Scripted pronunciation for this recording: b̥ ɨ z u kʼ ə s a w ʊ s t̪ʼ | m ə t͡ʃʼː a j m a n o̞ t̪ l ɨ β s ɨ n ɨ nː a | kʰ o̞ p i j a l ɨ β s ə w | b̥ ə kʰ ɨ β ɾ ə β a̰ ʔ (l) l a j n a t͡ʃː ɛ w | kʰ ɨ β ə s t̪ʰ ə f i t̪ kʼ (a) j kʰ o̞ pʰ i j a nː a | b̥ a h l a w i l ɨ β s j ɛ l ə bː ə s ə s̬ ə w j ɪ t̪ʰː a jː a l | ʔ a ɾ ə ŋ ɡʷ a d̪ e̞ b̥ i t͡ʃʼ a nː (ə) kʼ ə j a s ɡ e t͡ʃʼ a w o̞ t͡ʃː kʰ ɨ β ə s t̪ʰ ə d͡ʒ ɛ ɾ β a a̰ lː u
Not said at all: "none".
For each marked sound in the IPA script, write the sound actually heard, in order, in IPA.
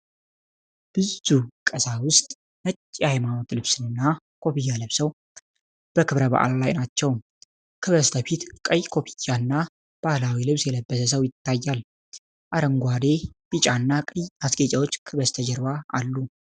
l, ə, a

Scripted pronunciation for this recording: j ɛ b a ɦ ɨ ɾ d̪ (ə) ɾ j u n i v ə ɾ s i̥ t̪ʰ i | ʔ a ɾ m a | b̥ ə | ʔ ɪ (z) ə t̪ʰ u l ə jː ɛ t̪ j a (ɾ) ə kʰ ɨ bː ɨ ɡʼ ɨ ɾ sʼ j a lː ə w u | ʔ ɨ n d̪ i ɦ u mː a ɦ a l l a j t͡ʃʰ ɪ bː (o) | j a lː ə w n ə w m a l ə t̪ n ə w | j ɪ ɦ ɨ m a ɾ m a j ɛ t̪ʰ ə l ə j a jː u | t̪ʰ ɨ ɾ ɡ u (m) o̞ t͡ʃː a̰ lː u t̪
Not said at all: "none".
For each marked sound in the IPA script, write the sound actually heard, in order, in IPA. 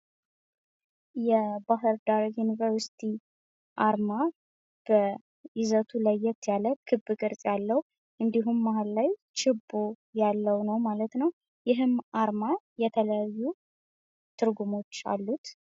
a, z, l, o, m

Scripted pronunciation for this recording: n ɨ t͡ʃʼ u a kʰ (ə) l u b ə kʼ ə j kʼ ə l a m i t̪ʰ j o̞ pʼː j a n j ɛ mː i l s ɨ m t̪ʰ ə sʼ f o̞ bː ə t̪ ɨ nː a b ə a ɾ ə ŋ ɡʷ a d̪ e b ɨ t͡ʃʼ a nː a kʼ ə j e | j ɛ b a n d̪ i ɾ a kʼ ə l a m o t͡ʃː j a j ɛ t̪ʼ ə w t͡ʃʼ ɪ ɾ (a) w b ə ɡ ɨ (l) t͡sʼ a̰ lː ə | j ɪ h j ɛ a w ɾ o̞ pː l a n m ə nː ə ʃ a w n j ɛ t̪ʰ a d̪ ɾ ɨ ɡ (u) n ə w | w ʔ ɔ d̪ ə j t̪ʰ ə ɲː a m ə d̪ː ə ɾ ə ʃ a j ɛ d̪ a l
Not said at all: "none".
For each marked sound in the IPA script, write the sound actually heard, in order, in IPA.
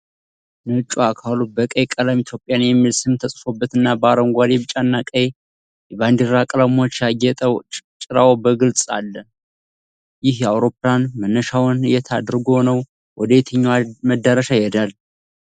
a, a, l, o

